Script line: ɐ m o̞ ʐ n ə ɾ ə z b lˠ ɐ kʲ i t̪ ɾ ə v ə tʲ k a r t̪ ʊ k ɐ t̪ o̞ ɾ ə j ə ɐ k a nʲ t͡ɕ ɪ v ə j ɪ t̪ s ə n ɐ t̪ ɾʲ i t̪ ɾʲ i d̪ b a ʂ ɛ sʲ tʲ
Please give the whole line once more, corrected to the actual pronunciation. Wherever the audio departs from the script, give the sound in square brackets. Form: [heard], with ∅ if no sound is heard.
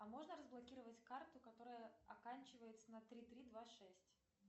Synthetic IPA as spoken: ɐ m o̞ ʐ n ə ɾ ə z b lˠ ɐ kʲ i [∅] ɾ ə v ə tʲ k a r t̪ ʊ k ɐ t̪ o̞ ɾ ə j ə ɐ k a nʲ t͡ɕ ɪ v ə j ɪ t̪ s ə n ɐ t̪ ɾʲ i t̪ ɾʲ i d̪ [v] a ʂ ɛ sʲ tʲ